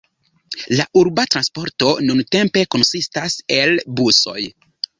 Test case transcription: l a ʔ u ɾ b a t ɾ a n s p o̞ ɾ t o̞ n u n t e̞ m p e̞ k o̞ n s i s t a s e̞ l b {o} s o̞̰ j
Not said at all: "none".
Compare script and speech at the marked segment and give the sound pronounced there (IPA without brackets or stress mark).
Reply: u